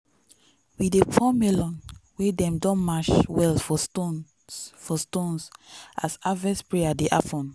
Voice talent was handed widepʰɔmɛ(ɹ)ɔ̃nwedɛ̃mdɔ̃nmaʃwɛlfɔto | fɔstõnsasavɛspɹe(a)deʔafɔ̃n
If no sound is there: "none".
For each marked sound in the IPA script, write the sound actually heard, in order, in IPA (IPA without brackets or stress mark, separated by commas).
l, a